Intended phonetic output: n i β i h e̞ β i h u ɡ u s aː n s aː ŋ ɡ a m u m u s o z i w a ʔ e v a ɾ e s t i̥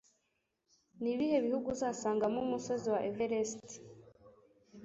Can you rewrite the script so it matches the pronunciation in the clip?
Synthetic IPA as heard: n i β i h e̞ β i h u ɡ u z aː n s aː ŋ ɡ a m u m u s o z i w a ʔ e v e ɾ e s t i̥